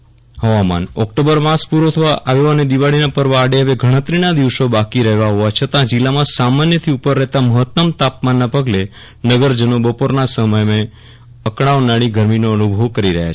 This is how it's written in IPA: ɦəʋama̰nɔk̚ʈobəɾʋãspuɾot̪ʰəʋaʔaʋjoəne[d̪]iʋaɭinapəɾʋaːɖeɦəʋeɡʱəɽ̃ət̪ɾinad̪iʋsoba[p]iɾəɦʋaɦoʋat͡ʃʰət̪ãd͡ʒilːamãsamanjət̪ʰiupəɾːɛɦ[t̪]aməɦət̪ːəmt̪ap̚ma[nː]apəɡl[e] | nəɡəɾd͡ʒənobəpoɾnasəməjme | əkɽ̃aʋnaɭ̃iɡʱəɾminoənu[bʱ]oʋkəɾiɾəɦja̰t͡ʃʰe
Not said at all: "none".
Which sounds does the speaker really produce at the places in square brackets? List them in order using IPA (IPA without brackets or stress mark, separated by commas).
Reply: d̪, k, t̪, nː, e, bʱ